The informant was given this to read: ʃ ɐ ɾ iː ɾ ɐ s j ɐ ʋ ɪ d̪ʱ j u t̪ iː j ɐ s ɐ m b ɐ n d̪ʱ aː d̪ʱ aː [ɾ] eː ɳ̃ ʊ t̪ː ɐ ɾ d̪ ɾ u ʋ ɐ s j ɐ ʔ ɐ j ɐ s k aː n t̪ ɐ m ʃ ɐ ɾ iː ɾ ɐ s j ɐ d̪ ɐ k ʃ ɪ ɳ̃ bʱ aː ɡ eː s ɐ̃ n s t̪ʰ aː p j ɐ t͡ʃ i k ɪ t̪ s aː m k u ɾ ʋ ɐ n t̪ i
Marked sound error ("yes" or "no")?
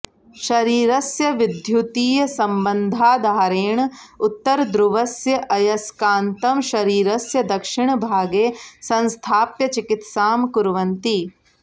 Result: no